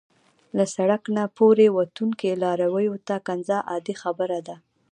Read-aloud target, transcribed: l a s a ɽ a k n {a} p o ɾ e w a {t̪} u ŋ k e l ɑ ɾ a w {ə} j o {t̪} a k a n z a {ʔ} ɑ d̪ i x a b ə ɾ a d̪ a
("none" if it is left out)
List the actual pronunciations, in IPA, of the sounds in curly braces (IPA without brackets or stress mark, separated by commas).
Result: a, t̪, ə, t̪, ʔ